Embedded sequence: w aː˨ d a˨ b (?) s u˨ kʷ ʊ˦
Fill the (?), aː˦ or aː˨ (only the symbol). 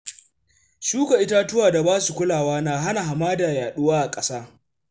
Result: aː˦